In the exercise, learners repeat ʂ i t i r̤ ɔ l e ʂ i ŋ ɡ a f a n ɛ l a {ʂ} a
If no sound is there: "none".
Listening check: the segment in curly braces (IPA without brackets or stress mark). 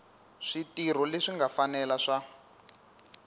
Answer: ʂ